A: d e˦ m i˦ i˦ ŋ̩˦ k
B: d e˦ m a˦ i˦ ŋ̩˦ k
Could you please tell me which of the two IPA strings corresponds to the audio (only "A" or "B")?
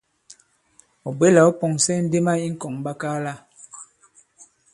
B